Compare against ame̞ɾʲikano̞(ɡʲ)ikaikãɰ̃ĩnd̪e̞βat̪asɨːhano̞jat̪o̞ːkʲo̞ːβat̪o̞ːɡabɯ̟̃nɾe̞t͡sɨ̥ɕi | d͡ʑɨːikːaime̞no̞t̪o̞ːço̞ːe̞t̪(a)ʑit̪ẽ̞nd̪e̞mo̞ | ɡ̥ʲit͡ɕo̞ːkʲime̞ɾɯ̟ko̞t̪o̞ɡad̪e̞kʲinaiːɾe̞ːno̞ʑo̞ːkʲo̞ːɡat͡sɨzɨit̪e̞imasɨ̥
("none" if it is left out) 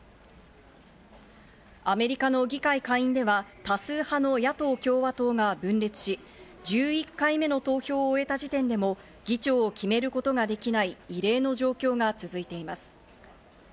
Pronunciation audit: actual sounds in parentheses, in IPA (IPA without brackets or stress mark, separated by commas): ɡʲ, a